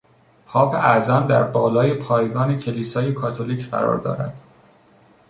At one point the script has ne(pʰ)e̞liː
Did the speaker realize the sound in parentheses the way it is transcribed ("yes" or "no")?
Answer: no